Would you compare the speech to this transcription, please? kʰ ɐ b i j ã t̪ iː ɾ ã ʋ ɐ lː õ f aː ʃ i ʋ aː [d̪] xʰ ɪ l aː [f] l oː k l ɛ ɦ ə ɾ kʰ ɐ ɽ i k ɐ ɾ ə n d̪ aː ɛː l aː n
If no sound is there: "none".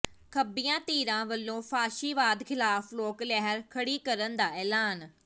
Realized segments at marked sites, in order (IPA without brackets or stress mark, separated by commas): d̪, f